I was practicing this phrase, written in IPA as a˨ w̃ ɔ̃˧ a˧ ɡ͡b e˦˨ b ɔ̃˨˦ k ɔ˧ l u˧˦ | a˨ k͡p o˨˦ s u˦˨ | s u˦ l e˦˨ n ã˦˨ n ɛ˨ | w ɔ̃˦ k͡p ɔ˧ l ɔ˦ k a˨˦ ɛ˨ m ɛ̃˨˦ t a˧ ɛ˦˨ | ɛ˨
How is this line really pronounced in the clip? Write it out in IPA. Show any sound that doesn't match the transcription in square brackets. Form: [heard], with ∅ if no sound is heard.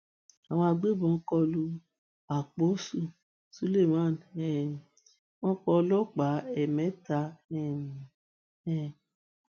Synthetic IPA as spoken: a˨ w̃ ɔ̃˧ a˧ ɡ͡b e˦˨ b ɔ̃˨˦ k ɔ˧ l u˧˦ | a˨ k͡p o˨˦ s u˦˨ | s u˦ l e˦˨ [m] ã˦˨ n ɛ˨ | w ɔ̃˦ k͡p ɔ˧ l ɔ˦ [k͡p] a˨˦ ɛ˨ m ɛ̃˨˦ t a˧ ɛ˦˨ | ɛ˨

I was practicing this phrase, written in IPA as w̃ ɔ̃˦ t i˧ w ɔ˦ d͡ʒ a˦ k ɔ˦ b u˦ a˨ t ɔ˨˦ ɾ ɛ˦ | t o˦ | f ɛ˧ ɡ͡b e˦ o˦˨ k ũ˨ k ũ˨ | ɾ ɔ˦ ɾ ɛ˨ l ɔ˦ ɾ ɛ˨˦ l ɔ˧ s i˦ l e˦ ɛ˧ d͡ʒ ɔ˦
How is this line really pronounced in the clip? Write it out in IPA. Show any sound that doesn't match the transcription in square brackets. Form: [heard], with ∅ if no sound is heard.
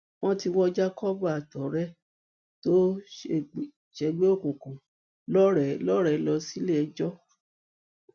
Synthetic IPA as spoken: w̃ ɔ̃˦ t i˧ w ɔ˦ d͡ʒ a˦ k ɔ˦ b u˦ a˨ t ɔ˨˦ ɾ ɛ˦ | t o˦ | [ʃ] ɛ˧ ɡ͡b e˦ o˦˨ k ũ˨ k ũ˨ | [l] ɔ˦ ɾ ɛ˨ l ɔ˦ ɾ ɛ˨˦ l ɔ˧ s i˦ l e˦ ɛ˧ d͡ʒ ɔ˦

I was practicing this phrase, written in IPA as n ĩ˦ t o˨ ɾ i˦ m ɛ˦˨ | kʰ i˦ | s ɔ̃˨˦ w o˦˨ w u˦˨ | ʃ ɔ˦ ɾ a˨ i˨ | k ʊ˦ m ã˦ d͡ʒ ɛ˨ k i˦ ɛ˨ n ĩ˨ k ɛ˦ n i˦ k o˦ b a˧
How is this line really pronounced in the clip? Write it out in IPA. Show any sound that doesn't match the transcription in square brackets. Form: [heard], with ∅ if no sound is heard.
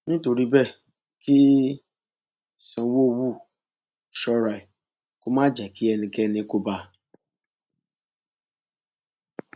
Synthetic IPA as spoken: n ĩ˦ t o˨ ɾ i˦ [b] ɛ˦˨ | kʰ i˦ | s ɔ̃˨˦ w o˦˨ w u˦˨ | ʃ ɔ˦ ɾ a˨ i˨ | k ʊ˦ m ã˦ d͡ʒ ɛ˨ k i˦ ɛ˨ n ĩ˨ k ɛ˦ n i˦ k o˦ b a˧

